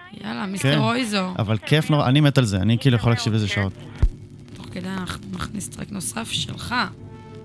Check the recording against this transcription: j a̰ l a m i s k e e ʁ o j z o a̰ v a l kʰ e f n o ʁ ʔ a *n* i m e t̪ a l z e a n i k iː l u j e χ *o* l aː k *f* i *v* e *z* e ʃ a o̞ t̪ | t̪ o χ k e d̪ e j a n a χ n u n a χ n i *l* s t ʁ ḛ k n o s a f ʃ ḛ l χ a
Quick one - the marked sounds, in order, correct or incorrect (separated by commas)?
correct, correct, incorrect, correct, correct, incorrect